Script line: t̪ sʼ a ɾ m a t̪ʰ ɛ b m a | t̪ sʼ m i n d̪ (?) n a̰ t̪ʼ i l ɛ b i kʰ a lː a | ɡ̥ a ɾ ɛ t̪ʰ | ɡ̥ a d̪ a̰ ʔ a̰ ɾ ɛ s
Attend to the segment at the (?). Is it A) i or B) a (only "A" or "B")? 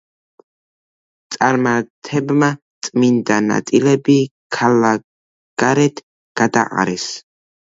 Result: B